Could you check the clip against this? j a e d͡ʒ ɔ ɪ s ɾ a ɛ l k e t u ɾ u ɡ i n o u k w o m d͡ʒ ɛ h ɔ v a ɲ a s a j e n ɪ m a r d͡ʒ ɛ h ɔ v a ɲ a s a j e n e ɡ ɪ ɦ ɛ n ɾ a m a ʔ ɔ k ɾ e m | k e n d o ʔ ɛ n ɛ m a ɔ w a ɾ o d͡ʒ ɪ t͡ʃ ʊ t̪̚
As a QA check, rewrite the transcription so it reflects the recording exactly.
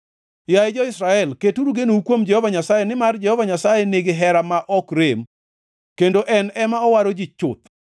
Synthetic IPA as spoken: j a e d͡ʒ ɔ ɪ s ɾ a ɛ l k e t u ɾ u ɡ e n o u k w o m d͡ʒ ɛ h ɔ v a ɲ a s a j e n ɪ m a r d͡ʒ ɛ h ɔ v a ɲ a s a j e n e ɡ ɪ ɦ ɛ ɾ a m a ʔ ɔ k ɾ e m | k e n d o ʔ ɛ n ɛ m a ɔ w a ɾ o d͡ʒ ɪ t͡ʃ ʊ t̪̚